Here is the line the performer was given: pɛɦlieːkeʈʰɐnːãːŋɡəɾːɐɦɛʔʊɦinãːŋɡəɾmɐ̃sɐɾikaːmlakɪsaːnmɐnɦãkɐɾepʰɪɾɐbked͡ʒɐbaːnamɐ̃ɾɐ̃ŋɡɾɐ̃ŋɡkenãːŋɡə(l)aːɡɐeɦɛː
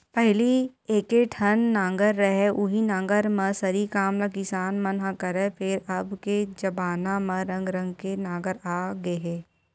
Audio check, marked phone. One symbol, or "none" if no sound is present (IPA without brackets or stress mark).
ɾ